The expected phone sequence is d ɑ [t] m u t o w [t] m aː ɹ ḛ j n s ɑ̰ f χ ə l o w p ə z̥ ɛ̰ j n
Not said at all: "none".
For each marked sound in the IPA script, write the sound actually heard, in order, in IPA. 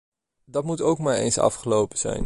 t, k

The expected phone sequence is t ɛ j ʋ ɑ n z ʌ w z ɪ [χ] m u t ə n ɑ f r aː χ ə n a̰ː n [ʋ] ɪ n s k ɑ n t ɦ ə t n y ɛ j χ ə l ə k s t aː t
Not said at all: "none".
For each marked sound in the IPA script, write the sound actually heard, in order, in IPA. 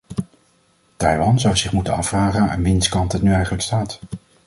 χ, ʋ

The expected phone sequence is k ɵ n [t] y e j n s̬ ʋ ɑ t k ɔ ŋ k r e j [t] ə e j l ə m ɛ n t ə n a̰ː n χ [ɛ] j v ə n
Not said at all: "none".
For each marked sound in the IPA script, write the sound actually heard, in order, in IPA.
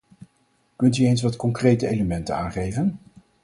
t, t, e

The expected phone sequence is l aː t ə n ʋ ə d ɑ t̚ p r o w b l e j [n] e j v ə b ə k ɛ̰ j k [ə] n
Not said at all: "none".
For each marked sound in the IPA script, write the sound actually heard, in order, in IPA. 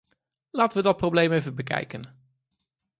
m, ə

